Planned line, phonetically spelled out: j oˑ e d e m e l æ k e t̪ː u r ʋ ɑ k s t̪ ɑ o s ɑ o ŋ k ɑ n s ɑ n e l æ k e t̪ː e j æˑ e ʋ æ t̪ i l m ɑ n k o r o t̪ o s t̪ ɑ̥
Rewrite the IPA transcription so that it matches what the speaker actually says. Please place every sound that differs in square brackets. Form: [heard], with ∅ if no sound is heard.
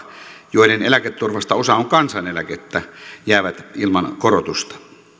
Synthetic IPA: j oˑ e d e [n] e l æ k e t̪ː u r ʋ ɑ [∅] s t̪ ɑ o s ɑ o ŋ k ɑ n s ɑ n e l æ k e t̪ː [æ] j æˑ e ʋ æ t̪ i l m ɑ n k o r o t̪ [u] s t̪ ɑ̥